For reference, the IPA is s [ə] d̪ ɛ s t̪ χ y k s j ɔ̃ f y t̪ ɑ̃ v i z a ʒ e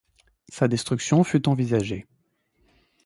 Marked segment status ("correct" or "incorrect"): incorrect